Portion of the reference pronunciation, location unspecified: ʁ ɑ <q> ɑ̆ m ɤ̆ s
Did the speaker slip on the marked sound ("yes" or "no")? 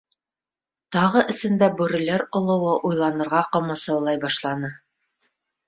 no